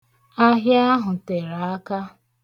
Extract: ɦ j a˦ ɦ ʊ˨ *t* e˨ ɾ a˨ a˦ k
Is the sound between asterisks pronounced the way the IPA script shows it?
yes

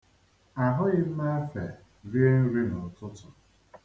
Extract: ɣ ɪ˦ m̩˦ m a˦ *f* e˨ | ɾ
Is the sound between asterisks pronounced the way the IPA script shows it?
yes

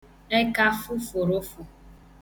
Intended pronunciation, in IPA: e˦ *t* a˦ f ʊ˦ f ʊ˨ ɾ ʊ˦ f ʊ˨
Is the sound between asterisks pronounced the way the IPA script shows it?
no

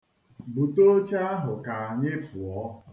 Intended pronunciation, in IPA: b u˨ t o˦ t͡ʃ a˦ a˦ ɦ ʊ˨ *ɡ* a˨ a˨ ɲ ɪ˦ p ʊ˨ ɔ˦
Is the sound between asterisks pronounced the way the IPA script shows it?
no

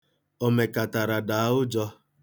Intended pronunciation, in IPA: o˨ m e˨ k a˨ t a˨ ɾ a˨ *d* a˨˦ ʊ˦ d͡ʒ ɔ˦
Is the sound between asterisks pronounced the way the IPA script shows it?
yes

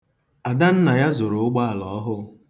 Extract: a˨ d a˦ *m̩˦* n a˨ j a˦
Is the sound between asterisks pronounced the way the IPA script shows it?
no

